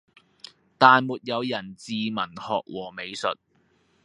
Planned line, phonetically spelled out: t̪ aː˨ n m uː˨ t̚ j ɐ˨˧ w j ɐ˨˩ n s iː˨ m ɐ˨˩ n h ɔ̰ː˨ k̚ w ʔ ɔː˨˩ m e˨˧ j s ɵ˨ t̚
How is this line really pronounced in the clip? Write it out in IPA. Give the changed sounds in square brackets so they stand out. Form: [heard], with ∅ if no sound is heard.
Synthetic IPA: t̪ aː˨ n m uː˨ t̚ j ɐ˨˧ w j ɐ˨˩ n [t͡s] iː˨ m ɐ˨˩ n h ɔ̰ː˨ k̚ w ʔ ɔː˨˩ m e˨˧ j s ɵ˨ t̚